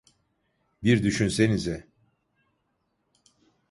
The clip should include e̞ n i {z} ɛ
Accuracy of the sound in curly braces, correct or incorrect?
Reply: correct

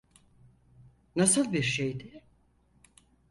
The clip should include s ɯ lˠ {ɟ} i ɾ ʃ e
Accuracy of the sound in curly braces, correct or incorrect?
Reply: incorrect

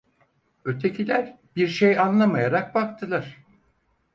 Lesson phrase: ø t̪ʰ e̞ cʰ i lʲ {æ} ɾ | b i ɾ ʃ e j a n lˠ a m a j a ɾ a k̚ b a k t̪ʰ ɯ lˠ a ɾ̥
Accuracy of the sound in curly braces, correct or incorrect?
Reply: correct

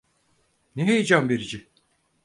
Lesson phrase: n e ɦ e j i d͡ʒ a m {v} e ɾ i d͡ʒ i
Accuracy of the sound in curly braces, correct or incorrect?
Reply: incorrect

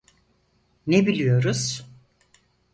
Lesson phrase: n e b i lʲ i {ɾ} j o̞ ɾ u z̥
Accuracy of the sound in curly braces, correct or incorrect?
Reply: incorrect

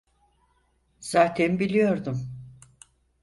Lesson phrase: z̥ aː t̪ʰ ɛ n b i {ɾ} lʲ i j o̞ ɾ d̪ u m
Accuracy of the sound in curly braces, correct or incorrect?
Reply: incorrect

